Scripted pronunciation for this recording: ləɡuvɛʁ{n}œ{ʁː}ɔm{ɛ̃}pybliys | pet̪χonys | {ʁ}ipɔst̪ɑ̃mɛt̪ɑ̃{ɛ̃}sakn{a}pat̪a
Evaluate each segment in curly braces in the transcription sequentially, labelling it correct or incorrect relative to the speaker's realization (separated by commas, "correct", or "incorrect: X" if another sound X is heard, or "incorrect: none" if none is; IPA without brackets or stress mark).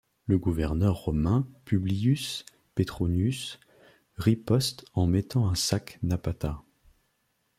correct, correct, correct, correct, correct, correct